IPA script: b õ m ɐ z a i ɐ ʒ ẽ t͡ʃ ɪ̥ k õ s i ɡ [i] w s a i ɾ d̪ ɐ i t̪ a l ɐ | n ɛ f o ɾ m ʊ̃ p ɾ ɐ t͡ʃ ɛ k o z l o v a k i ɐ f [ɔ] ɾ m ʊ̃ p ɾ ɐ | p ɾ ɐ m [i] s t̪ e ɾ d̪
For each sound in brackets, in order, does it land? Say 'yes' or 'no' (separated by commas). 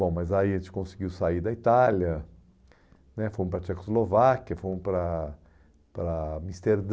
yes, no, yes